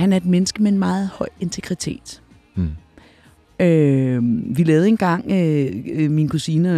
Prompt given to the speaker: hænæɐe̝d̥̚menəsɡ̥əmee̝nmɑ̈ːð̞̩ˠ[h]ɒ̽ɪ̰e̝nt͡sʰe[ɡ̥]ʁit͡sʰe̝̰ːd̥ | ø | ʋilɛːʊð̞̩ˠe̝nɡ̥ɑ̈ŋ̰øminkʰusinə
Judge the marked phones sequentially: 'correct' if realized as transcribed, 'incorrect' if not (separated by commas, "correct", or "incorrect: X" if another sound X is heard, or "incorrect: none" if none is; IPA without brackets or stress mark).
correct, correct